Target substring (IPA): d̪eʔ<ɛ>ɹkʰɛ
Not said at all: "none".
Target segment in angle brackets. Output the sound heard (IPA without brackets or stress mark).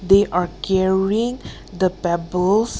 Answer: a